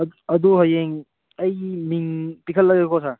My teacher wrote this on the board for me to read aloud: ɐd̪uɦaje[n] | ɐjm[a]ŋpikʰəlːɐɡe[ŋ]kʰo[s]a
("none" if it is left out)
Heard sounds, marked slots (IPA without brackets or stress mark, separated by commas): ŋ, i, none, s